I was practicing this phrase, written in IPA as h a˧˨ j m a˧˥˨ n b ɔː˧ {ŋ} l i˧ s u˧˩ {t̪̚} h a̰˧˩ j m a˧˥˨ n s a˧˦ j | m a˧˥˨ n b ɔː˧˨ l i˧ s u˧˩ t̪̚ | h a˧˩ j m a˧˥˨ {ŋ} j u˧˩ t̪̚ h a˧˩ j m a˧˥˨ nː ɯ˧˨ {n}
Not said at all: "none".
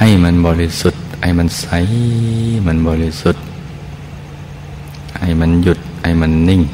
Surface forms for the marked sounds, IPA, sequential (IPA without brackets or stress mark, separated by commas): none, t̪̚, n, ŋ